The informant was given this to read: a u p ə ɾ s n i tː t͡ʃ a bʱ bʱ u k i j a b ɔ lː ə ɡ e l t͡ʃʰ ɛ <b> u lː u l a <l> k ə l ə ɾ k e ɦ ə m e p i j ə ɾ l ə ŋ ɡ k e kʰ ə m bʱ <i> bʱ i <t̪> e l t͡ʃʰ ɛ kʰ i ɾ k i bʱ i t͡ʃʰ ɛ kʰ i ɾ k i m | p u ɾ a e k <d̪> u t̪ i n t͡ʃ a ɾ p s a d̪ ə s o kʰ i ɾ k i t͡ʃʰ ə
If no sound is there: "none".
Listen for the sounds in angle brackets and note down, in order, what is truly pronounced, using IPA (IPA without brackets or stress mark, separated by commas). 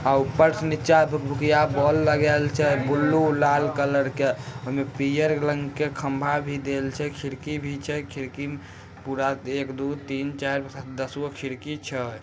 b, l, a, d̪, d̪